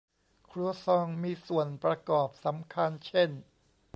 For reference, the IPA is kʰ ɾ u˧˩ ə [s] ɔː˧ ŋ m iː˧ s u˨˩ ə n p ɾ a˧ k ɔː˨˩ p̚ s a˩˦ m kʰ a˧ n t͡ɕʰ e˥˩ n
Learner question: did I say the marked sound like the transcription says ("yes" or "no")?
yes